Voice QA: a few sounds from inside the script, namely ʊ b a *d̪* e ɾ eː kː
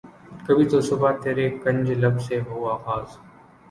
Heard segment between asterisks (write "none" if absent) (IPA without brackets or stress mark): t̪